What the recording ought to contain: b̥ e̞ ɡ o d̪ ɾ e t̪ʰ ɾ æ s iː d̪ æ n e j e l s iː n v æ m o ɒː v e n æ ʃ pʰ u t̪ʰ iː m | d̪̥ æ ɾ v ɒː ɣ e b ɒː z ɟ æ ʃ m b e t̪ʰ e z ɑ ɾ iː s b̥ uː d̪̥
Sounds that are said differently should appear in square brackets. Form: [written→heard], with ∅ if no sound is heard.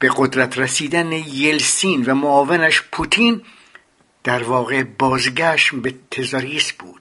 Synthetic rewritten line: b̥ e̞ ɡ o d̪ ɾ [e→æ] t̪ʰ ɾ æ s iː d̪ æ n e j e l s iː n v æ m o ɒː v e n æ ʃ pʰ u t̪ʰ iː [m→n] | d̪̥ æ ɾ v ɒː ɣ e b ɒː z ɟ æ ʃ m b e t̪ʰ e z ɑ ɾ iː s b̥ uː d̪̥